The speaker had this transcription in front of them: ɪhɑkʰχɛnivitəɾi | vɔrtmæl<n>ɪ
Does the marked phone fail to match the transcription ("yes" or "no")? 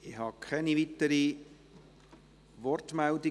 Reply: yes